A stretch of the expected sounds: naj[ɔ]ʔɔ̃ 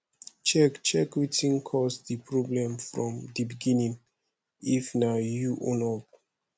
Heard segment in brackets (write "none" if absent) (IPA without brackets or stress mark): u